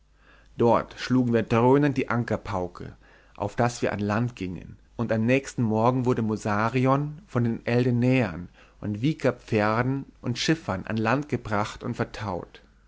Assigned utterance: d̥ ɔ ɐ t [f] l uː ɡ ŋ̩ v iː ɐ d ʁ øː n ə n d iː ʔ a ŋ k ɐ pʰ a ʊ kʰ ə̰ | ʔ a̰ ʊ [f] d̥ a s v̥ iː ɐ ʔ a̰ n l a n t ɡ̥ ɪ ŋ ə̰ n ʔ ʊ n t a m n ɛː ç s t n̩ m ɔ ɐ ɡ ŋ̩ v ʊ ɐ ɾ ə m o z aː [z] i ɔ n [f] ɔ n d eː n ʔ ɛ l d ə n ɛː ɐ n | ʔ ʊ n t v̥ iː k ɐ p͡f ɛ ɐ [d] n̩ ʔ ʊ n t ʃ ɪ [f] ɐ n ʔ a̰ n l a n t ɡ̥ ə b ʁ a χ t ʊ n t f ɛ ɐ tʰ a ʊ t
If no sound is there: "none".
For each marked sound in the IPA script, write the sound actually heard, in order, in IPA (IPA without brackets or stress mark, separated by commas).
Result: ʃ, f, ʁ, f, d, f